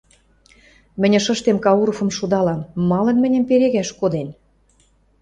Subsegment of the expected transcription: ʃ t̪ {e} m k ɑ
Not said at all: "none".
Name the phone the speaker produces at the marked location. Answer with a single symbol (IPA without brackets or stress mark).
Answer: e